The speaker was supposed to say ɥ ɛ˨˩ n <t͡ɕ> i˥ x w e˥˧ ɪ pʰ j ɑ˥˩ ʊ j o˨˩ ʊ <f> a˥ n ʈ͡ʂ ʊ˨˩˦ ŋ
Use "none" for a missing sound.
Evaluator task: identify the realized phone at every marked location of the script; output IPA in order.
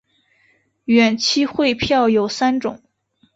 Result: t͡ɕʰ, s

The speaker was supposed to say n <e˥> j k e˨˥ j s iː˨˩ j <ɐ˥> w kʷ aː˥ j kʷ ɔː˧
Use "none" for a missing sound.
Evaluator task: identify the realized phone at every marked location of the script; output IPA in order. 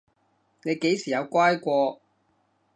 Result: e˨˧, ɐ˨˧

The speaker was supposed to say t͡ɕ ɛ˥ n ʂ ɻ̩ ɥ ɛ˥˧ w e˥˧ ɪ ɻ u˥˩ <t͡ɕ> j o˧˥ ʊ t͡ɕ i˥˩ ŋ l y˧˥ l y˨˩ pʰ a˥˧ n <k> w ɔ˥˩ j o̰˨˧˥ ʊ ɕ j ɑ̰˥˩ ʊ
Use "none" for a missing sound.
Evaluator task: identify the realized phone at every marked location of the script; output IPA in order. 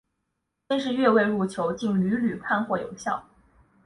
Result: t͡ɕʰ, x

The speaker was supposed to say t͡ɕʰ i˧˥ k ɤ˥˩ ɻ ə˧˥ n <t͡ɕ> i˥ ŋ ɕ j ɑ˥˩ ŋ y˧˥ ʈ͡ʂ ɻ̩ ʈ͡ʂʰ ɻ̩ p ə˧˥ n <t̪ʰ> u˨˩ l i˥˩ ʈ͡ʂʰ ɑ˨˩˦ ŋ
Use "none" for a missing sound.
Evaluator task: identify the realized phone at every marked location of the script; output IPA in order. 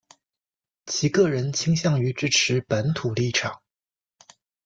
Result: t͡ɕʰ, t̪ʰ

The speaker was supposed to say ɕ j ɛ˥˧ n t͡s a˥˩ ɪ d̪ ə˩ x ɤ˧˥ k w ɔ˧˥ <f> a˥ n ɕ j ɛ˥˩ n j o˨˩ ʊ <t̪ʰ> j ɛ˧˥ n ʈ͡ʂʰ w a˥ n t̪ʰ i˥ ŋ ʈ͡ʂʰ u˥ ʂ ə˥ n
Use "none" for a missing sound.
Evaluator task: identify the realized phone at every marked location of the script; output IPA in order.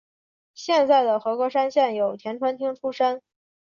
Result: ʂ, t̪ʰ

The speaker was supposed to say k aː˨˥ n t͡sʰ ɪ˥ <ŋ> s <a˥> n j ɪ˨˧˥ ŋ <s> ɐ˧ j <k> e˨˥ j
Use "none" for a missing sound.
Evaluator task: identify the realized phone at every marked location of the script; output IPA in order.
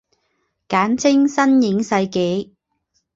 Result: ŋ, ɐ˥, s, k

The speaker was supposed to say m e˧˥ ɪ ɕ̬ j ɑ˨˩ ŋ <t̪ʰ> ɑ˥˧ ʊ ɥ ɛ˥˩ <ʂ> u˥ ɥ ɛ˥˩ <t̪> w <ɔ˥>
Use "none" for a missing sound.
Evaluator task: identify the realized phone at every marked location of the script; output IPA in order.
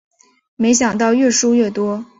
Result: t̪, ʂ, t̪, ɔ˥

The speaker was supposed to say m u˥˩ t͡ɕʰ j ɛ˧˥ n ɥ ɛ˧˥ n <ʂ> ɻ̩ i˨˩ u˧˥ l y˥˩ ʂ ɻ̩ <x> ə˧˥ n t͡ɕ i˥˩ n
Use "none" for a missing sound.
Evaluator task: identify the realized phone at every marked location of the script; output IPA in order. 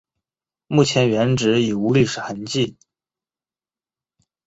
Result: ʈ͡ʂ, x

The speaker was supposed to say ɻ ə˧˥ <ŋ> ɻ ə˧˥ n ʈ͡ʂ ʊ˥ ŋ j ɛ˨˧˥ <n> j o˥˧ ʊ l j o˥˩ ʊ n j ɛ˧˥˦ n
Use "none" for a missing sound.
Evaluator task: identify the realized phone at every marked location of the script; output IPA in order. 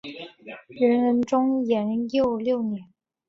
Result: n, n

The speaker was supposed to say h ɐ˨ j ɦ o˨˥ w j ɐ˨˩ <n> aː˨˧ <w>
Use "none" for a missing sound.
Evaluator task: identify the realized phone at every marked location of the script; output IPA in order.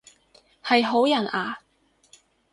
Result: n, none

